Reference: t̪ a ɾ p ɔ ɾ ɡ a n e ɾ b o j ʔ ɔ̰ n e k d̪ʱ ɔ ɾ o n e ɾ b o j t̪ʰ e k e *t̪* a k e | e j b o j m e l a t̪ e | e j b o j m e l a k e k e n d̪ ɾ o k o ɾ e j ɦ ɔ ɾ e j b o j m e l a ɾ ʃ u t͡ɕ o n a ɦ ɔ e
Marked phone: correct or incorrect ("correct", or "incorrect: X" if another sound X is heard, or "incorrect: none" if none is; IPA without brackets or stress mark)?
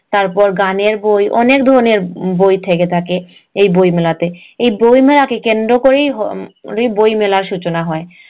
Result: incorrect: t̪ʰ